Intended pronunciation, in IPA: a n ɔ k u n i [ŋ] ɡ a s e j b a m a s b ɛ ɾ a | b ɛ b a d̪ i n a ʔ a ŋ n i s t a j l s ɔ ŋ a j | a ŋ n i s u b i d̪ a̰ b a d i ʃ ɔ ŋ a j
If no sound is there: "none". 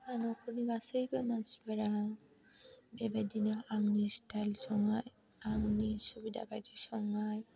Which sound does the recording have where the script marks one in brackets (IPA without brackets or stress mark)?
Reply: none